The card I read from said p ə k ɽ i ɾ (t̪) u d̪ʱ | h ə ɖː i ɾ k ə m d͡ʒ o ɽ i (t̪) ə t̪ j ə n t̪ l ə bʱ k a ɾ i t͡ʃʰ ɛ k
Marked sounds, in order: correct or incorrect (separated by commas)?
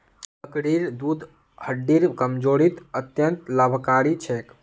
incorrect, correct